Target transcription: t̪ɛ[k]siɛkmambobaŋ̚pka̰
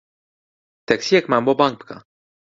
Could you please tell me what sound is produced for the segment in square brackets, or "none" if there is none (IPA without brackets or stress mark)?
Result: k